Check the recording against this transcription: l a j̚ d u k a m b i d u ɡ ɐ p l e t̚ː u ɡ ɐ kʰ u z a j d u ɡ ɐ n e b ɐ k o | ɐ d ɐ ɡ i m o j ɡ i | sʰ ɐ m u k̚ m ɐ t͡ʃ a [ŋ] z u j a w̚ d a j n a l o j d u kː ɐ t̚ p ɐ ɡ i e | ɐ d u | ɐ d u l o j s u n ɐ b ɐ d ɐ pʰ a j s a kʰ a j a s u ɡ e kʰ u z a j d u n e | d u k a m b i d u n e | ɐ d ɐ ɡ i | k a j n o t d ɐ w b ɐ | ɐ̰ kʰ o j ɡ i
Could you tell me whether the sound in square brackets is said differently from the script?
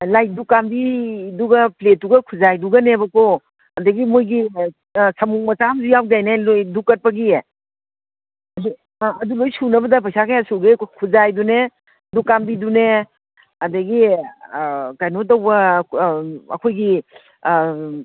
yes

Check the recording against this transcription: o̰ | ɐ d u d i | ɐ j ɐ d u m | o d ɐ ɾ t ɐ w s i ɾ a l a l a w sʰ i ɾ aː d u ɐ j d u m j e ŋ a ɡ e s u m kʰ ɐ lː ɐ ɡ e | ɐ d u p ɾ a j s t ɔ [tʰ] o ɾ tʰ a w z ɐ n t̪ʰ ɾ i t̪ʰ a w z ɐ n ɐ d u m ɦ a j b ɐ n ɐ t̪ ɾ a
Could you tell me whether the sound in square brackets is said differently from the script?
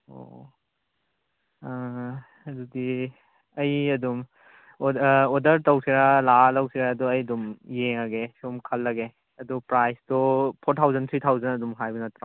yes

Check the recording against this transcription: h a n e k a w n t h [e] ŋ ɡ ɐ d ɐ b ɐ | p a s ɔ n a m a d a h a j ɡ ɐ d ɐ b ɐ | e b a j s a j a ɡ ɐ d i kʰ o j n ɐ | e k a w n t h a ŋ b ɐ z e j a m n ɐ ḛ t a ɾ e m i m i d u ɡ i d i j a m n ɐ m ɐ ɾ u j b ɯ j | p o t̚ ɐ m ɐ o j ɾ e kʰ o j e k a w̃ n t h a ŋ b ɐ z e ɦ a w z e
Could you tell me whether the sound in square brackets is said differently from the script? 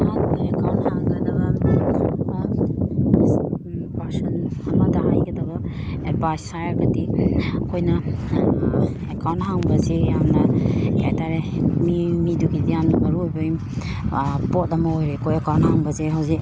yes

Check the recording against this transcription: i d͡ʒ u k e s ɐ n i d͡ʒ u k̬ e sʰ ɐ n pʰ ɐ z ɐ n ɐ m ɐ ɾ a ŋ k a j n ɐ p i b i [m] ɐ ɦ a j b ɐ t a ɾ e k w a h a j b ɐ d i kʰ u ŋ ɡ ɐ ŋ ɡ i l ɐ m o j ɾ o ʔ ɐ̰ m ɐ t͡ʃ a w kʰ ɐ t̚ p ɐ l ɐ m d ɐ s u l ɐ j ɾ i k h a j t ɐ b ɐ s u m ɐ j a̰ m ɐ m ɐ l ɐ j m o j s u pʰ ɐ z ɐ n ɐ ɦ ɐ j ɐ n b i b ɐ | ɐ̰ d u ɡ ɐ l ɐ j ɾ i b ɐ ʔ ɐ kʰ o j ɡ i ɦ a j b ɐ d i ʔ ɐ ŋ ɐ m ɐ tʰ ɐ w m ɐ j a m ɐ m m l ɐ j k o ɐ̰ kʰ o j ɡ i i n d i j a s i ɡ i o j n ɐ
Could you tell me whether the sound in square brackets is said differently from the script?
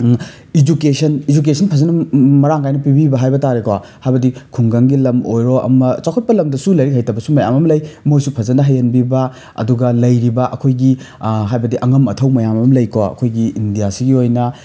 yes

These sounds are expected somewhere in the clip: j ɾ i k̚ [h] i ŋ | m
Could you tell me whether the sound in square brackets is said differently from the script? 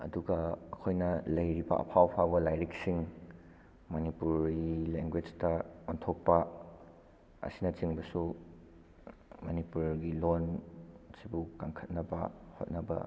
yes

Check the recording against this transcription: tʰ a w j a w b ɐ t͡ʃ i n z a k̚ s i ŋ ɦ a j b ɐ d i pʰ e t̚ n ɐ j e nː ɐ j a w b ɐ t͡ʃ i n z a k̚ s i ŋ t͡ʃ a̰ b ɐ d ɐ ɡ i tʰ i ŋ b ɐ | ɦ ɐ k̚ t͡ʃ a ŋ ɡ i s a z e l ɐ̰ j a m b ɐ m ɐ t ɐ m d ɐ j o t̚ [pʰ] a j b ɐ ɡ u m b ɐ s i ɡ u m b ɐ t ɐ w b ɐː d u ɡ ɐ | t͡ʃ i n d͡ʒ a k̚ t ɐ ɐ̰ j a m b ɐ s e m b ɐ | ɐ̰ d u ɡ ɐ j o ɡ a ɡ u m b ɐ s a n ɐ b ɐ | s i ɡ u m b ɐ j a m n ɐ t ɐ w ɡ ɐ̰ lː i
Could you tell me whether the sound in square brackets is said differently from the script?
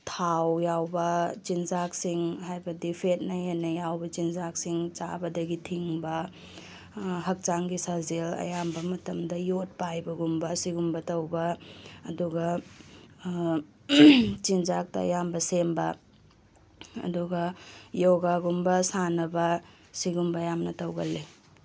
yes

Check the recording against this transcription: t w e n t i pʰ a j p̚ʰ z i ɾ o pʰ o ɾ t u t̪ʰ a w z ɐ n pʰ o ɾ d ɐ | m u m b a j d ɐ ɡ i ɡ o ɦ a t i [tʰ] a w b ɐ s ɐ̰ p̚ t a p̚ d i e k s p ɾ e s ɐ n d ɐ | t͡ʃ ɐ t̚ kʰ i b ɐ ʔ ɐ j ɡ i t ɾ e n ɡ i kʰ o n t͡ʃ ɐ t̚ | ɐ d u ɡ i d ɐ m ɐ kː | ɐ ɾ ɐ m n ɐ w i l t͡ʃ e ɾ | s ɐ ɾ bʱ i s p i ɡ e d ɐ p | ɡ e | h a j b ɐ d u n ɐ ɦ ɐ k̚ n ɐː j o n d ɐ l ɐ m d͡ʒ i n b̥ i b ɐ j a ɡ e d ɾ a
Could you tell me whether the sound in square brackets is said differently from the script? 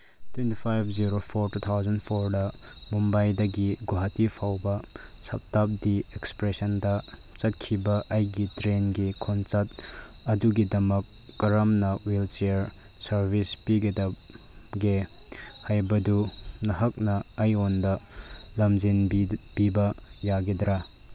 yes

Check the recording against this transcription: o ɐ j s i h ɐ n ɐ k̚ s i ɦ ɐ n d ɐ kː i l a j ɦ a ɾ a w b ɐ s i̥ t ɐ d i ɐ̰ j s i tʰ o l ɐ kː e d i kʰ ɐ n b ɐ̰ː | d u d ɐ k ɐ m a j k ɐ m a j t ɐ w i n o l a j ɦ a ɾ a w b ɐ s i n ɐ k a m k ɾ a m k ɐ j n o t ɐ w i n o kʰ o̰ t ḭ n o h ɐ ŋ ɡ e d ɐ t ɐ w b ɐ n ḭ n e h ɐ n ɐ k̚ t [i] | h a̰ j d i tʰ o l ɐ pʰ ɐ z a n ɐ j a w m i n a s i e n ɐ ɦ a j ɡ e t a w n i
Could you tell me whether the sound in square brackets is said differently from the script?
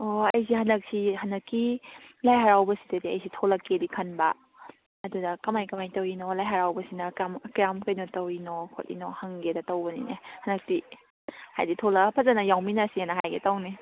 no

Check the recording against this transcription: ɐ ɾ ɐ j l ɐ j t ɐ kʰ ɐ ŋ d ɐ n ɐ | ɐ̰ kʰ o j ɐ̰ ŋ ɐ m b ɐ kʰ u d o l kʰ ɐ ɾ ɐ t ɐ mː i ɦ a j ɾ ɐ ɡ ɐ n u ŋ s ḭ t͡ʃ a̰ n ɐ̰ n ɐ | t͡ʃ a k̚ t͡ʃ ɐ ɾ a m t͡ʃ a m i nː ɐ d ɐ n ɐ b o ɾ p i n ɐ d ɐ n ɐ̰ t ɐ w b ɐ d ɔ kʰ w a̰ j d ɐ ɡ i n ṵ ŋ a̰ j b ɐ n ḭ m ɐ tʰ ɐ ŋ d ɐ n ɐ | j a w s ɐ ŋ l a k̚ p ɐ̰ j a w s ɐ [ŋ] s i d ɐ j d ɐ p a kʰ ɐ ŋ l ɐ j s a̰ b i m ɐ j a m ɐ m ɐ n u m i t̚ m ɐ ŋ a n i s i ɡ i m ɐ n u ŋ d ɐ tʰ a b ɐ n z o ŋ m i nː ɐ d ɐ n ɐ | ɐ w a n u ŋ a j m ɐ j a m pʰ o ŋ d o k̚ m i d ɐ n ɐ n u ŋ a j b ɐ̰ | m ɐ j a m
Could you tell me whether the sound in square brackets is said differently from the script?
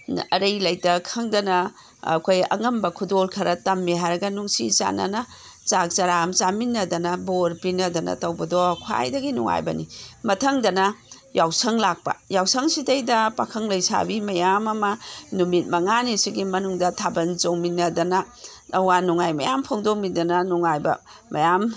no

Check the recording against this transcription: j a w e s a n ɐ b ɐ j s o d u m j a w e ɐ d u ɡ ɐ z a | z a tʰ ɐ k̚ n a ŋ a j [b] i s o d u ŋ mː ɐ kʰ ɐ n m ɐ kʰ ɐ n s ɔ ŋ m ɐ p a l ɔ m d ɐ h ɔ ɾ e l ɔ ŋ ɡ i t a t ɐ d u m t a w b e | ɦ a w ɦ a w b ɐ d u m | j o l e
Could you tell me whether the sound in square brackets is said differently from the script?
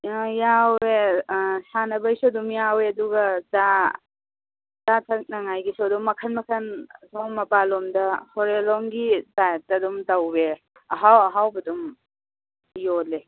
yes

